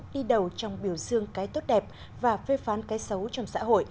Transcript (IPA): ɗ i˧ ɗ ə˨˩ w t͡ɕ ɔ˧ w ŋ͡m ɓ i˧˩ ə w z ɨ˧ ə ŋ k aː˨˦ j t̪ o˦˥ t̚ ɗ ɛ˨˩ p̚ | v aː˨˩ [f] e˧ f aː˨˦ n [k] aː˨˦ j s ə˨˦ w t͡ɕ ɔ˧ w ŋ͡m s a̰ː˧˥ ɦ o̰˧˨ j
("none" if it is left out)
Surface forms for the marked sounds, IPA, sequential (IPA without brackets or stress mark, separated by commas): f, k